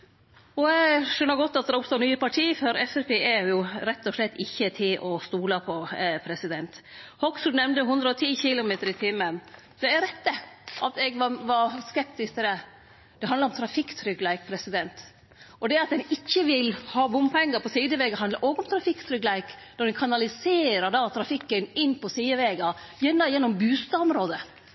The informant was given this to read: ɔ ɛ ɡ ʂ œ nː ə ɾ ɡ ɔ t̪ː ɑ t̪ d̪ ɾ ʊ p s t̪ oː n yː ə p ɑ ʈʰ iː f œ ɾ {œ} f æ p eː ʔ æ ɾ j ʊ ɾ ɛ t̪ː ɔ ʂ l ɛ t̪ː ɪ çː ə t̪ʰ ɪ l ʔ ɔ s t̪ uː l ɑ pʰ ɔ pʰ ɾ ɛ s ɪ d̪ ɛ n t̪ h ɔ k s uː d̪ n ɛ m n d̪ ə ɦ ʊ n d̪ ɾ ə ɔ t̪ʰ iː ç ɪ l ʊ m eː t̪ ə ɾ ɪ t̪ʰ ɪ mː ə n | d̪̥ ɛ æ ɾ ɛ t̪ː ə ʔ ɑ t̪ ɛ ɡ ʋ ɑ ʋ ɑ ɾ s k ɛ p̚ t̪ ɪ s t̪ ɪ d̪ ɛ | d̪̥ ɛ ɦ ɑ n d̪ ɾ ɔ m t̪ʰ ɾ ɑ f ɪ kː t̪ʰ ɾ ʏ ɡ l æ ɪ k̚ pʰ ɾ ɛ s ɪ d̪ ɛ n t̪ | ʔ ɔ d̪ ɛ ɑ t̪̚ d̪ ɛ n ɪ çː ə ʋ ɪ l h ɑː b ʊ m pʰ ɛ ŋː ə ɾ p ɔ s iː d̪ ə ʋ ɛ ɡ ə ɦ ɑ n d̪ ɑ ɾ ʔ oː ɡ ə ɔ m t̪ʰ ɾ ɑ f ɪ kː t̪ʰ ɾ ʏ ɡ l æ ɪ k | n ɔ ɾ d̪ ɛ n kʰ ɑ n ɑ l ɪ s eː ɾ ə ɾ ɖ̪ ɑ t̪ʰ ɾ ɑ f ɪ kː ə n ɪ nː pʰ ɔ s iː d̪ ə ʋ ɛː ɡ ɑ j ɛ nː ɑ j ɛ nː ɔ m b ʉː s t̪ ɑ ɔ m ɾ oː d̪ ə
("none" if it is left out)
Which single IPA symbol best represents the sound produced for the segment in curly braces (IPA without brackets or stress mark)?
ɛ